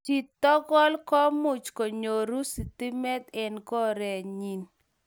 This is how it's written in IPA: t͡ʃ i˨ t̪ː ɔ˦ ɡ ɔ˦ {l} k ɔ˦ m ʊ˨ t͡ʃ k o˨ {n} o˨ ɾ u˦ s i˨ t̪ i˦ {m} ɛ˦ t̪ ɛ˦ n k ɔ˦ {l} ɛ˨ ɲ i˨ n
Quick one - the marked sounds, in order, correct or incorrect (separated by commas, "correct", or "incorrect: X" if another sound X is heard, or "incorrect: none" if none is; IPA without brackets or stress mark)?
correct, incorrect: ɲ, correct, incorrect: ɾ